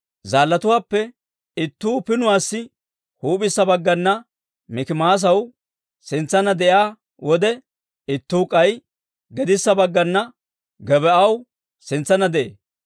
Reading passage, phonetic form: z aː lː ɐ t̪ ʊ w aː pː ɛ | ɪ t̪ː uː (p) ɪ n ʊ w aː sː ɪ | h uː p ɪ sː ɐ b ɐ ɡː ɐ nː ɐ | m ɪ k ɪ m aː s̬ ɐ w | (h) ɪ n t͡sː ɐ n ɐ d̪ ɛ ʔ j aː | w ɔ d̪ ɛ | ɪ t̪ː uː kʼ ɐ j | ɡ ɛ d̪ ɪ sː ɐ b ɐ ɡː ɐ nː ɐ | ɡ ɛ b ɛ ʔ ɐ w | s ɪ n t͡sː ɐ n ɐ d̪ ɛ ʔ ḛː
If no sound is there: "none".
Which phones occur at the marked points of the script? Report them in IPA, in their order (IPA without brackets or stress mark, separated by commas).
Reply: p, s